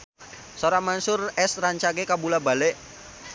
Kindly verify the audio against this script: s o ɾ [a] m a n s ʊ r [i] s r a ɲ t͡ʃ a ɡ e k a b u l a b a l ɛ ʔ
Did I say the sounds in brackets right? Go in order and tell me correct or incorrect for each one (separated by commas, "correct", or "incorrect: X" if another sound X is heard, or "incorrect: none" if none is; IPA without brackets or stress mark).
correct, incorrect: ɛ